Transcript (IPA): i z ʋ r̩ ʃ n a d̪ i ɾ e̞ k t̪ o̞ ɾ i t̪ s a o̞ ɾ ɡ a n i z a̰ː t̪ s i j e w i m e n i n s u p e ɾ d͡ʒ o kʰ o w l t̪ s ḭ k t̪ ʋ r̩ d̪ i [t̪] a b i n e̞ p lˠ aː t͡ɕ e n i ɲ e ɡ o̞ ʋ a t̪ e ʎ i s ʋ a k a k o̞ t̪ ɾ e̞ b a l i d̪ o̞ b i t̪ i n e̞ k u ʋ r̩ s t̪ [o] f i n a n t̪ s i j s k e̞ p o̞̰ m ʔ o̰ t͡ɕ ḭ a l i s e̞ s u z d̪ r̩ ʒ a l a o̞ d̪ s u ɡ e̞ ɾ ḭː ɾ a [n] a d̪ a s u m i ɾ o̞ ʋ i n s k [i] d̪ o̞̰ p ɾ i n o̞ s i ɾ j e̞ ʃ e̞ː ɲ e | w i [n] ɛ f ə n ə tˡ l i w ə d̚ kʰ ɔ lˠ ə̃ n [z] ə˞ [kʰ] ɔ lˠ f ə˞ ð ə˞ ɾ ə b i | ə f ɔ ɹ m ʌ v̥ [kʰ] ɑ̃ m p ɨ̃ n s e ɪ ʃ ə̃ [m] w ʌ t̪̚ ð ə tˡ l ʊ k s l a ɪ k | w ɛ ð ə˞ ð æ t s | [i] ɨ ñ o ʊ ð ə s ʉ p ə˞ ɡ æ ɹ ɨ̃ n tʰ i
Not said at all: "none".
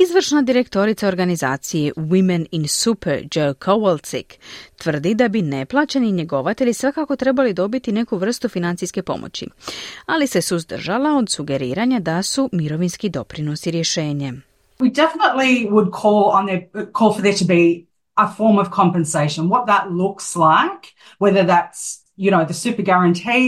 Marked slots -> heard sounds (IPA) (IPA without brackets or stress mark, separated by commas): d̪, u, ɲ, i, d, ð, kʰ, kʰ, n, j